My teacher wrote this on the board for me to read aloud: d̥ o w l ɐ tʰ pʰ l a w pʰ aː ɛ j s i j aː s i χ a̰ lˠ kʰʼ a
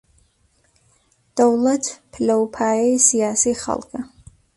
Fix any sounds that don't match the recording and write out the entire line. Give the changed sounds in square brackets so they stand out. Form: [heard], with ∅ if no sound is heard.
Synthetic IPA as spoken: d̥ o w l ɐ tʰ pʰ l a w pʰ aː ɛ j s i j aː s i χ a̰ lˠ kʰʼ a